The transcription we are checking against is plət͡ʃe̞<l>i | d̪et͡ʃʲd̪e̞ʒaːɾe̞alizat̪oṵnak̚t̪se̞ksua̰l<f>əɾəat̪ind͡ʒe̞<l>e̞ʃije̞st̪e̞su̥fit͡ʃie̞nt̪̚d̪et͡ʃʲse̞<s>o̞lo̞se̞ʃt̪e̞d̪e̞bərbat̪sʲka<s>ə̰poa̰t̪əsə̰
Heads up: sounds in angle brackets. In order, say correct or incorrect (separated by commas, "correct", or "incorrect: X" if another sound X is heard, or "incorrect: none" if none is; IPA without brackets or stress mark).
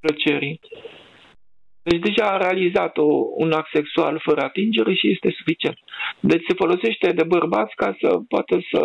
incorrect: ɾ, correct, incorrect: ɾ, incorrect: f, correct